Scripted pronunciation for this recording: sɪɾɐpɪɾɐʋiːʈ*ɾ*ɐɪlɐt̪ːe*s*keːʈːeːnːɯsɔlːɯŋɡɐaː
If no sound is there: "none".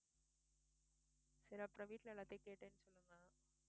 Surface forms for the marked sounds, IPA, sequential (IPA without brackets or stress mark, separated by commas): l, none